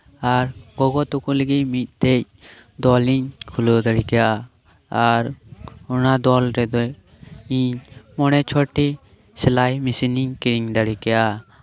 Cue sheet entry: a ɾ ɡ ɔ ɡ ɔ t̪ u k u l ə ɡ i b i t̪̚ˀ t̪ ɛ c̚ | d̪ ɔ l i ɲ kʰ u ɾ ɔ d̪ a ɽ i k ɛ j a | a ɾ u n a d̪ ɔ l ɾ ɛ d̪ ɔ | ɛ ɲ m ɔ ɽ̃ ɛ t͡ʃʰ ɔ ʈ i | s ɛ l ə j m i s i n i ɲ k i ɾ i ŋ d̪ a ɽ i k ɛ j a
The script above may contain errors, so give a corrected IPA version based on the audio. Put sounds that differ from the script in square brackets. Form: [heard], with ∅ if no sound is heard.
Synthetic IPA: a ɾ ɡ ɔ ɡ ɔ t̪ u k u l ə ɡ i [m] i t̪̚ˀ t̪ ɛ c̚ | d̪ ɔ l i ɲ kʰ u [l] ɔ d̪ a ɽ i k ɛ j a | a ɾ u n a d̪ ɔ l ɾ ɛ d̪ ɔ | [i] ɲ m ɔ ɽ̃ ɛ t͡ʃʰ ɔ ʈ i | s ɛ l [a] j m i s i n i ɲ k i ɾ i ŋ d̪ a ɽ i k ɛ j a